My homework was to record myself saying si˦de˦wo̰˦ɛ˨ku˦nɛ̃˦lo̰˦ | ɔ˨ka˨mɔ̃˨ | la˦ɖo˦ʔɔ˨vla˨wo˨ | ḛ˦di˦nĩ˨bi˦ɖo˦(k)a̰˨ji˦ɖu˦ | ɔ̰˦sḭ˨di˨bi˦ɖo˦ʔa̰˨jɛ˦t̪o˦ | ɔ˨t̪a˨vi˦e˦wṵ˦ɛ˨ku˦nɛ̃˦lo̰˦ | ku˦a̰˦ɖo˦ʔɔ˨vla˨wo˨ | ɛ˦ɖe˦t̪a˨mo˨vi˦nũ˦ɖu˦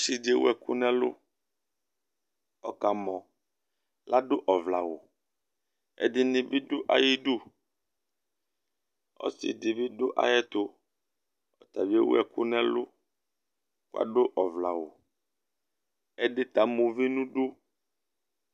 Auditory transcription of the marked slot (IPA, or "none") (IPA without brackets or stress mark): ʔ